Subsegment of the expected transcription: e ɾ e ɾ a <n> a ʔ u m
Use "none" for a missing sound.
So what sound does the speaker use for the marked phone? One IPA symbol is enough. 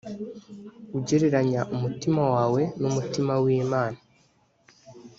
ɲ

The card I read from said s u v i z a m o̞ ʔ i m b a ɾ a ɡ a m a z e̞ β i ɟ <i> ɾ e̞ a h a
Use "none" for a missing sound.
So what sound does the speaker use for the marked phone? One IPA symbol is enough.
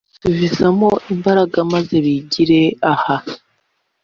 i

